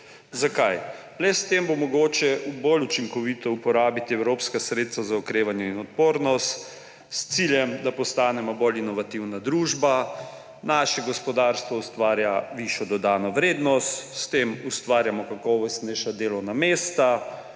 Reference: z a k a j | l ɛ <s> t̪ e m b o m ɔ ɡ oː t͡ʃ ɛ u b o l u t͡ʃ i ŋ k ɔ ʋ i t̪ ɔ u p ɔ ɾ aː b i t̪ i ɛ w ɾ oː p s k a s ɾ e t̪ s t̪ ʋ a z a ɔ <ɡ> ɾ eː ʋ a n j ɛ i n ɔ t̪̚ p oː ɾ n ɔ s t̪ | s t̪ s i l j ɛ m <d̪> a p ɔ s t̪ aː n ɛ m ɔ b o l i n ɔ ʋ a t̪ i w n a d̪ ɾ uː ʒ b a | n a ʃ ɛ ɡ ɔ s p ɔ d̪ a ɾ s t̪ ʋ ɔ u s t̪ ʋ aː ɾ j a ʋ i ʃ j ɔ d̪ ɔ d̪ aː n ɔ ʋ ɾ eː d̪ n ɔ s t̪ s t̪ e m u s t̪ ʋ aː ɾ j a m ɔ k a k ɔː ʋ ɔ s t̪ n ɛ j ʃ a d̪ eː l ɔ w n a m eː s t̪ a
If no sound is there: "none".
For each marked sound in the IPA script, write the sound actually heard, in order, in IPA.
s, k, d̪

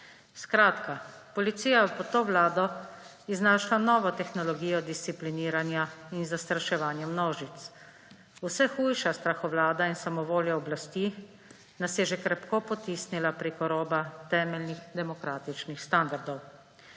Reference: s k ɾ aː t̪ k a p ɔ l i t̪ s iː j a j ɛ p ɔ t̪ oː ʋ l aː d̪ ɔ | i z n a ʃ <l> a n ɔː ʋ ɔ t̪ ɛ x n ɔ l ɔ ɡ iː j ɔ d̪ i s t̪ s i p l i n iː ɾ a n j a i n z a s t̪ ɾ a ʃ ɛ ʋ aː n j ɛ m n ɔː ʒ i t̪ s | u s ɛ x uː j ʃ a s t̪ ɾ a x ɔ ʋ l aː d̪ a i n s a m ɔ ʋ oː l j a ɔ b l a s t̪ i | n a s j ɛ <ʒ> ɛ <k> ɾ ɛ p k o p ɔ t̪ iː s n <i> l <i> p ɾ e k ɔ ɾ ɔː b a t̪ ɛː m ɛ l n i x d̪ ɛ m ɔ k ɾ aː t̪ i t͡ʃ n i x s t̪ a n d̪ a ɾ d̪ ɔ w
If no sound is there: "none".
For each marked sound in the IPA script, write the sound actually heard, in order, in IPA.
l, ʒ, k, i, a

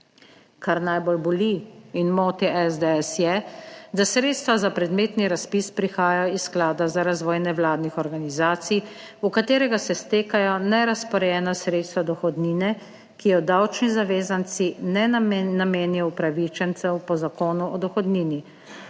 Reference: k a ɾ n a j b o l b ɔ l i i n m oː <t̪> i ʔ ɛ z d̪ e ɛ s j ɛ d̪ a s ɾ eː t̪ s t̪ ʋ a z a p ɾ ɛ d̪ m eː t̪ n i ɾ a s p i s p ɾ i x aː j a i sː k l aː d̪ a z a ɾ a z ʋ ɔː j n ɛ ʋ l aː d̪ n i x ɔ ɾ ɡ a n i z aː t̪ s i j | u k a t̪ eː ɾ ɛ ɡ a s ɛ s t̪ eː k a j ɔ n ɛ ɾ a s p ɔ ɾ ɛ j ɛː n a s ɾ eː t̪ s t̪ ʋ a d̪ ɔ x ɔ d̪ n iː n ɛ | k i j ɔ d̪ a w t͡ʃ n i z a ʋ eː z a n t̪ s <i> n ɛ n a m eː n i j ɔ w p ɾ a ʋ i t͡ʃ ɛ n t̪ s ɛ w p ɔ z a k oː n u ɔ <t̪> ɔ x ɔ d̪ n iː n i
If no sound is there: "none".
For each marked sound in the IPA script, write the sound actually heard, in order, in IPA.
t̪, i, d̪

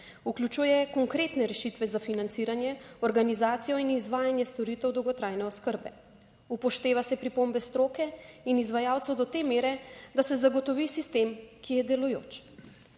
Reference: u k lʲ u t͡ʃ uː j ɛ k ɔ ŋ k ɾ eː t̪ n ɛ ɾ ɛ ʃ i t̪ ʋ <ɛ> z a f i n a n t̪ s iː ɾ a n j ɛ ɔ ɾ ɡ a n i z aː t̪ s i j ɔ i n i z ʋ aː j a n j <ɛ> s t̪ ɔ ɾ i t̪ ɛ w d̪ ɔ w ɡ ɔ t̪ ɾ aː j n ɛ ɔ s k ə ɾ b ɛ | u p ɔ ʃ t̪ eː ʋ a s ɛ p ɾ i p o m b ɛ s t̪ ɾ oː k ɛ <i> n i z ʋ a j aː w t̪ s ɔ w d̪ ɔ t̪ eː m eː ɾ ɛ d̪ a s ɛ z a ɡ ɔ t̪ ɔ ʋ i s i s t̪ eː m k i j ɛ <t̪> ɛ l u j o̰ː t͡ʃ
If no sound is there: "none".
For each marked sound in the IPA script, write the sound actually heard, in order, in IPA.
ɛ, ɛ, i, d̪

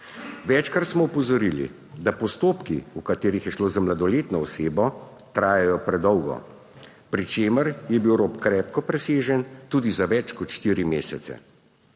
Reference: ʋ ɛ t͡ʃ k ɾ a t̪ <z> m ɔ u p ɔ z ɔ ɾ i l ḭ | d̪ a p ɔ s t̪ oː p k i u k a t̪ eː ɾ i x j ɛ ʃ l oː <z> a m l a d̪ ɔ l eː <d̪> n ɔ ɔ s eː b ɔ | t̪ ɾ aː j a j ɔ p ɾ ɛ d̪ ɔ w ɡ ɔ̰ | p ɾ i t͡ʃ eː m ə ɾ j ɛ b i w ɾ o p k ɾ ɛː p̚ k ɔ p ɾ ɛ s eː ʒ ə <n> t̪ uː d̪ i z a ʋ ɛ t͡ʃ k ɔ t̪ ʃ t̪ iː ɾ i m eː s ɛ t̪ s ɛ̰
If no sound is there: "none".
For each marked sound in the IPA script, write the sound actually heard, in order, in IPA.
s, z, t̪, n

